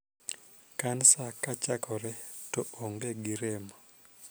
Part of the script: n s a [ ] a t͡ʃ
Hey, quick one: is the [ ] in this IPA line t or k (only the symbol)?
k